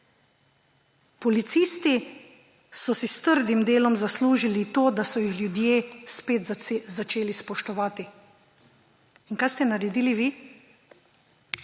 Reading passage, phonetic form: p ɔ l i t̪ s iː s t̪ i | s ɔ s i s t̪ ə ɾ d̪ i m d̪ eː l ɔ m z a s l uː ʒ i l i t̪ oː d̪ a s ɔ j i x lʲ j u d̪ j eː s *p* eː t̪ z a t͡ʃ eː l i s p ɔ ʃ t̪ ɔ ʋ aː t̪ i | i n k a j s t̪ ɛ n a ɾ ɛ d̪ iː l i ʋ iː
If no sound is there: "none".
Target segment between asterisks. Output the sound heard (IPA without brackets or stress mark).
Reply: p